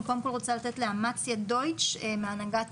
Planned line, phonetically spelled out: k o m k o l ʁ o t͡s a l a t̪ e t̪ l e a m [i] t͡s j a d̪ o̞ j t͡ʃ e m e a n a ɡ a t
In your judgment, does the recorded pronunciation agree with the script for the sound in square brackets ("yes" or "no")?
no